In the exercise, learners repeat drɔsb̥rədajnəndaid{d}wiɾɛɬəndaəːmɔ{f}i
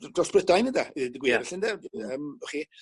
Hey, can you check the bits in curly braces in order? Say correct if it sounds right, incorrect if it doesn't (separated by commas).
incorrect, incorrect